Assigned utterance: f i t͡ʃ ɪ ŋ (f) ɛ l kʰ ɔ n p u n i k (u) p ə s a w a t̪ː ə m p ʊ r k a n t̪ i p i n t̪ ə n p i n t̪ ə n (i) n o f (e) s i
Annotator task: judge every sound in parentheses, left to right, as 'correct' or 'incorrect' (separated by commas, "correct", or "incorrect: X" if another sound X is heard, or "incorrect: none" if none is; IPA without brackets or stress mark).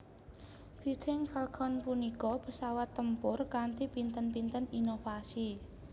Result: correct, incorrect: ɔ, correct, incorrect: a